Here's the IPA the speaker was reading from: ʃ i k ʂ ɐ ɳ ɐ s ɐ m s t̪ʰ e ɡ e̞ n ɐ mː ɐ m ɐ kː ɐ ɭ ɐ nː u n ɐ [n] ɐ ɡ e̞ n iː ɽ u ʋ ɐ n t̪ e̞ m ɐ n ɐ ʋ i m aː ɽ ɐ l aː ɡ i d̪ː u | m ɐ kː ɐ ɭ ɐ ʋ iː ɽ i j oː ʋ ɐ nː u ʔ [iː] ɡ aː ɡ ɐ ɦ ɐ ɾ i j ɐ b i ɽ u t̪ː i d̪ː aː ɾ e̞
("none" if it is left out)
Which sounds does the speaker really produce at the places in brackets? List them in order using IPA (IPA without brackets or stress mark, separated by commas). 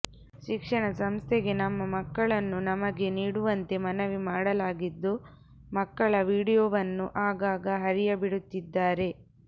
m, aː